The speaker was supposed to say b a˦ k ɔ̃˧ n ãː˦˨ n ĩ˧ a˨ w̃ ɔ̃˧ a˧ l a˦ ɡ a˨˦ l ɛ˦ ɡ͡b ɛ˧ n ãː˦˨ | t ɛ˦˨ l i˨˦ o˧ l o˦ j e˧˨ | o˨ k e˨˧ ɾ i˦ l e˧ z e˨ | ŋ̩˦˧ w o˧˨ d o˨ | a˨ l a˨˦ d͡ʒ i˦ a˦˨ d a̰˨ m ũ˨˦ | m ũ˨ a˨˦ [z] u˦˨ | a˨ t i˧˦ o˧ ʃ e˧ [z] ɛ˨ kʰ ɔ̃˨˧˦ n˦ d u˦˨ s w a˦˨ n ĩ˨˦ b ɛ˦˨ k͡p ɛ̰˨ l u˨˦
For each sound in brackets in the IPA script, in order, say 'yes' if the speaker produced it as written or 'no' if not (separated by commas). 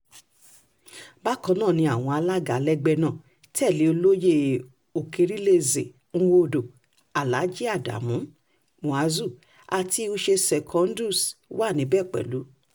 yes, no